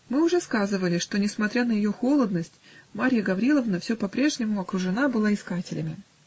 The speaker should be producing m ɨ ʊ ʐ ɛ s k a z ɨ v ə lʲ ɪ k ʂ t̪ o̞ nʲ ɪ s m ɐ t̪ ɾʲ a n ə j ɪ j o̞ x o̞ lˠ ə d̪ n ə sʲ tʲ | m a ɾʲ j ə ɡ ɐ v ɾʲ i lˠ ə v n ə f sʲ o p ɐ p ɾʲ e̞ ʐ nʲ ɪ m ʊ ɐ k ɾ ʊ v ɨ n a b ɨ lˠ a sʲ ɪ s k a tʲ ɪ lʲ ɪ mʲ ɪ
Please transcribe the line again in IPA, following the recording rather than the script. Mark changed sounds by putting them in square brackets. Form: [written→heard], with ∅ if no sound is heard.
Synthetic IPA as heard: m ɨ ʊ ʐ ɛ s k a z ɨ v ə lʲ ɪ [k→∅] ʂ t̪ o̞ nʲ ɪ s m ɐ t̪ ɾʲ a n ə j ɪ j o̞ x o̞ lˠ ə d̪ n ə sʲ tʲ | m a ɾʲ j ə ɡ ɐ v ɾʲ i lˠ ə v n ə f sʲ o p ɐ p ɾʲ e̞ ʐ nʲ ɪ m ʊ ɐ k ɾ ʊ [v→ʐ] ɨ n a b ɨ lˠ a [sʲ→∅] ɪ s k a tʲ ɪ lʲ ɪ mʲ ɪ